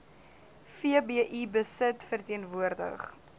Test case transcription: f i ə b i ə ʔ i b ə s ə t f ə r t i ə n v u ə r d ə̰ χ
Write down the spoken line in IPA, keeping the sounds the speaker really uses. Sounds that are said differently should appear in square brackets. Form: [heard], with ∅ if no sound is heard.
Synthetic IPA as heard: f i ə b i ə ʔ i b ə s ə t f ə r t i ə n v u ə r d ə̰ χ